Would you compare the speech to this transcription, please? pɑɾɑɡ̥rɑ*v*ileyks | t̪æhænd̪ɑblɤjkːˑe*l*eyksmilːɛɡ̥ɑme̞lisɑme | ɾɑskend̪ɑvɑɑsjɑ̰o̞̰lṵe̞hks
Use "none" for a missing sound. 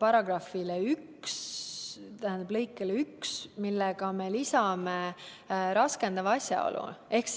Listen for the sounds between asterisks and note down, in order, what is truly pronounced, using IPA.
f, l

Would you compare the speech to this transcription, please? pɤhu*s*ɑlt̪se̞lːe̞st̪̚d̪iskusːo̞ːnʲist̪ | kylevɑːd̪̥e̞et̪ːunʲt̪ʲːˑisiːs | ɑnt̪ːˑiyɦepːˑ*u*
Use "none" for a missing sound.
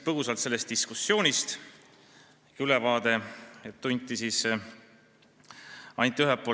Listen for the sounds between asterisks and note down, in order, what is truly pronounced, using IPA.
s, o

